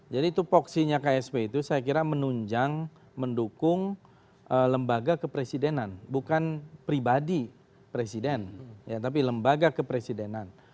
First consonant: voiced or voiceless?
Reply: voiced